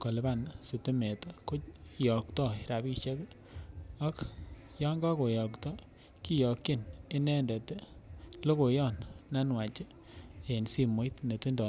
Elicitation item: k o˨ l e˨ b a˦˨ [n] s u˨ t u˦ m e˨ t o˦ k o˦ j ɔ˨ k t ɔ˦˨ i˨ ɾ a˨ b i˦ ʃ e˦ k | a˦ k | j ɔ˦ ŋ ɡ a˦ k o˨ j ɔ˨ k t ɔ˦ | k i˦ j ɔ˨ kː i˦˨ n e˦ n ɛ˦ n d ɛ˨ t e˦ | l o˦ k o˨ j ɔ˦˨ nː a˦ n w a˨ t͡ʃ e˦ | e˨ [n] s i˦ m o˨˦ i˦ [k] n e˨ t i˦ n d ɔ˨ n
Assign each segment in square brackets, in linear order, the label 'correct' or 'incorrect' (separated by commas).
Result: correct, correct, incorrect